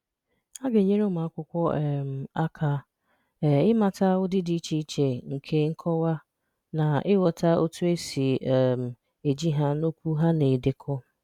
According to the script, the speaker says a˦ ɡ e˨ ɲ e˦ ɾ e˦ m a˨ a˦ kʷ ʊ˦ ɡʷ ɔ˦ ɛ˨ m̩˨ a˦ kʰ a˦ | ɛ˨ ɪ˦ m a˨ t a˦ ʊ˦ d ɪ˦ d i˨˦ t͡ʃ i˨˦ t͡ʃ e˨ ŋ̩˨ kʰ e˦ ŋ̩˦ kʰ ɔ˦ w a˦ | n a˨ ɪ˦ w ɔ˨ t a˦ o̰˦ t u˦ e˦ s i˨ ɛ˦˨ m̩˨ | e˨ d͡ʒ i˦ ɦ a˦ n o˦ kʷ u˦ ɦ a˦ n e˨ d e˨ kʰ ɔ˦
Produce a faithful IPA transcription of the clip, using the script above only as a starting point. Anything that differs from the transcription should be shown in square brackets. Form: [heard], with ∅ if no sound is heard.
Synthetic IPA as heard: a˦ ɡ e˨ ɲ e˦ ɾ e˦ m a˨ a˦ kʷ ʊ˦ [kʷ] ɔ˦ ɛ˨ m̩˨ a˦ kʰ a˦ | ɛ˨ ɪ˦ m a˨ t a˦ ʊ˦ d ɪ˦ d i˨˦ t͡ʃ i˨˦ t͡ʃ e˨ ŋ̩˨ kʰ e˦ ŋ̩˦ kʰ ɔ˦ w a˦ | n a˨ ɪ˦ w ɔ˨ t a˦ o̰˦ t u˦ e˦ s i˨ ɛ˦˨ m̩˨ | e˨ d͡ʒ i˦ ɦ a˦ n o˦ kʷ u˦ ɦ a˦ n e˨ d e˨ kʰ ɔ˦